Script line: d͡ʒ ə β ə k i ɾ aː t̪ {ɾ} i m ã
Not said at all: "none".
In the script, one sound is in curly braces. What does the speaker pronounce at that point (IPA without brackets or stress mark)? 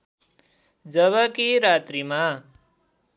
ɾ